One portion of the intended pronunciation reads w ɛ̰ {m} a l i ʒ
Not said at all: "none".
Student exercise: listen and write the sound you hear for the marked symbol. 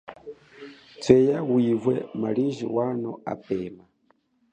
m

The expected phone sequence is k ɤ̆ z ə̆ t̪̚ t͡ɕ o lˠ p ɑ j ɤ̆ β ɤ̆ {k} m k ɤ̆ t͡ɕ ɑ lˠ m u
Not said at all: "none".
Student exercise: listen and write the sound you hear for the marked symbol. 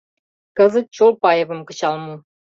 none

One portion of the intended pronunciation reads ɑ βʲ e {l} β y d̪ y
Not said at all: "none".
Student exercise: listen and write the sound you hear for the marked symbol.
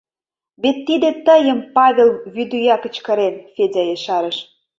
l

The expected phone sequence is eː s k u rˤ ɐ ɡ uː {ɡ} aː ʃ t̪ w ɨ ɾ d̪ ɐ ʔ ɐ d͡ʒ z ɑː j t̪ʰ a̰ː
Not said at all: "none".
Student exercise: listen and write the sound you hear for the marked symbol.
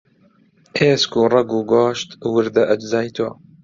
ɡ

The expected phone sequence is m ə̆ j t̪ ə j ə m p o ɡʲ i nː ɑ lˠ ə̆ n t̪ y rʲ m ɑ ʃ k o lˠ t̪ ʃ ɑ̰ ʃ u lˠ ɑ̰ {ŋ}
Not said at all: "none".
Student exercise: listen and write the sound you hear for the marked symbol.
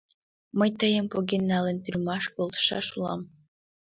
m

